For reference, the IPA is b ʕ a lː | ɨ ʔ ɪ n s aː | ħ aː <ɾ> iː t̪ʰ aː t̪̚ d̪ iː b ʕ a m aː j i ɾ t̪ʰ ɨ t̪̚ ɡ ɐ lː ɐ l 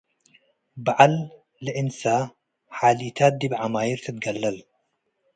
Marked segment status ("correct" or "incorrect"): incorrect